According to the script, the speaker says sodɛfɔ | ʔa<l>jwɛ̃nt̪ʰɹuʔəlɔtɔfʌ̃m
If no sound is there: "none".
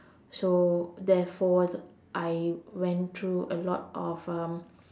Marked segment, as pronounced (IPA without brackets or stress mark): none